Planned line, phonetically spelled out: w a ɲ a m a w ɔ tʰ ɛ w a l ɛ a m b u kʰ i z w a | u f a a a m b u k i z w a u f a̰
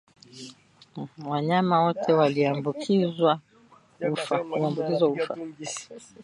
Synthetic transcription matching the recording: w a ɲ a m a w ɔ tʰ ɛ w a l i a m b u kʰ i z w a | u f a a a m b u k i z w a u f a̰